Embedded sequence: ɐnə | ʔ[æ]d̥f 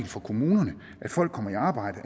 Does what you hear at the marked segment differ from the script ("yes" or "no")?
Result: no